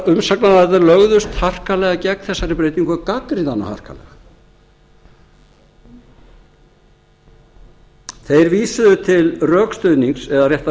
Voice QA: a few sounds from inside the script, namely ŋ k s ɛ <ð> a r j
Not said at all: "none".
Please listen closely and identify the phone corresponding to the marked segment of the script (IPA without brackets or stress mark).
ð